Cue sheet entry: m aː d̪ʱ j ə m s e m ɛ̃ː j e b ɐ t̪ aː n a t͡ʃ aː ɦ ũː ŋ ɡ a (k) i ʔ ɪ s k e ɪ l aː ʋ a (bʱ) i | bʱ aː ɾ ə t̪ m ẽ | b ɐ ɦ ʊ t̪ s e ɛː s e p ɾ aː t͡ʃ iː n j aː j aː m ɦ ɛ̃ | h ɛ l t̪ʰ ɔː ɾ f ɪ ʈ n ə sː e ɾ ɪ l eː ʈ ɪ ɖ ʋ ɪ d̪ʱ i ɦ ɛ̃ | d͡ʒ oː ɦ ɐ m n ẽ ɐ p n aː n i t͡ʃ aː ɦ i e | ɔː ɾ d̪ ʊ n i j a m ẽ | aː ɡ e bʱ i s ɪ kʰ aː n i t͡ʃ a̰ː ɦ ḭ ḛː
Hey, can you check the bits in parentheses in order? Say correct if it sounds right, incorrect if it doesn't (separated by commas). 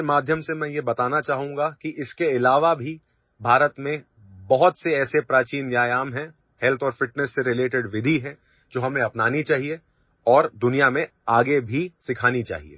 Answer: correct, correct